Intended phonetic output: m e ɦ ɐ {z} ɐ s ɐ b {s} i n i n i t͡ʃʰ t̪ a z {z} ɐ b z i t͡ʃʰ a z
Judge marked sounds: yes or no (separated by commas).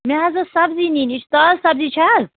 yes, no, no